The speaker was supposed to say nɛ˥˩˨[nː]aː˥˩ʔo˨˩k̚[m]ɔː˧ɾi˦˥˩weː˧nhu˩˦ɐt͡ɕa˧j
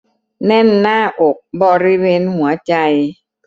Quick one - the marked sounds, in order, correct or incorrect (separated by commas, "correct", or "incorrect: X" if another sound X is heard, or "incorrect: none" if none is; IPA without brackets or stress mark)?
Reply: correct, incorrect: b